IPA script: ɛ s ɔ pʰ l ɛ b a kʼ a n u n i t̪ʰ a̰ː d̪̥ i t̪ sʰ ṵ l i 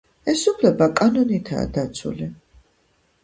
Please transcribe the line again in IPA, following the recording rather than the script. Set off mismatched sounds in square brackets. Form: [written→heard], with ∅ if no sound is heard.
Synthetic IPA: ɛ s [ɔ→u] pʰ l ɛ b a kʼ a n [u→ɔ] n i t̪ʰ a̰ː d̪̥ [i→a] t̪ sʰ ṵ l i